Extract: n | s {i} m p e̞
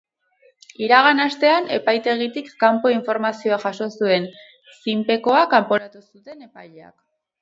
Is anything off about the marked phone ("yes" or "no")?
no